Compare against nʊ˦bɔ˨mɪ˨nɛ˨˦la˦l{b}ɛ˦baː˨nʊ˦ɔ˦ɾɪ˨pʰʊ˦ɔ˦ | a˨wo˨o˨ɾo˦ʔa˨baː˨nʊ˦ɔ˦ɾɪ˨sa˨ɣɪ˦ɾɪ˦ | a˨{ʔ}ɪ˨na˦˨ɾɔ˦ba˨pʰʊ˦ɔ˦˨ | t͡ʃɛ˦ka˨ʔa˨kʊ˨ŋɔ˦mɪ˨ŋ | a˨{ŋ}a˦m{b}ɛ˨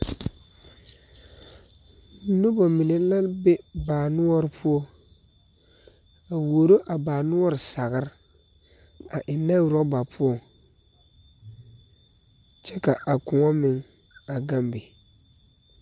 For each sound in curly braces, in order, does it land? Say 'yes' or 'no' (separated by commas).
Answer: yes, yes, no, yes